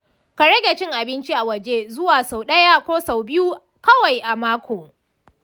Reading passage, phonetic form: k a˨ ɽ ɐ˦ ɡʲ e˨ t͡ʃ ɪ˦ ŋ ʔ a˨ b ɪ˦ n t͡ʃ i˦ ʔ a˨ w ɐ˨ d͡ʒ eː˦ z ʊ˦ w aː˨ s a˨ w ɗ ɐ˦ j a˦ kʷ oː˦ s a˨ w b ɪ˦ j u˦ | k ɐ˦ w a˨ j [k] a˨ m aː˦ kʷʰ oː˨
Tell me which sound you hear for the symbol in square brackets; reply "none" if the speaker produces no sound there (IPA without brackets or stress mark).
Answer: ʔ